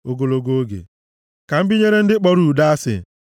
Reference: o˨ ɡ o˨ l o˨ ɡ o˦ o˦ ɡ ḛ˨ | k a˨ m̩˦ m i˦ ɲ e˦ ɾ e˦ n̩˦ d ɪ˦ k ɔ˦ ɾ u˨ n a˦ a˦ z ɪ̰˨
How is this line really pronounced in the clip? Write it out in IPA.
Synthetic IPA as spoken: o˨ ɡ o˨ l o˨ ɡ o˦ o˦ ɡ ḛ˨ | k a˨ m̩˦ b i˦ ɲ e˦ ɾ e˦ n̩˦ d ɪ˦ k͡p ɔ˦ ɾ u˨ d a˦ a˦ s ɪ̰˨